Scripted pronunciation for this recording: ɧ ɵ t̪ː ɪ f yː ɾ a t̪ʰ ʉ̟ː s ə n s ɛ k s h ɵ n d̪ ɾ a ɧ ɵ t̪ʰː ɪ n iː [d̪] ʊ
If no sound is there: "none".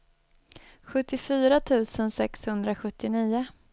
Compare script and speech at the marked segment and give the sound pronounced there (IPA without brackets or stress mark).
none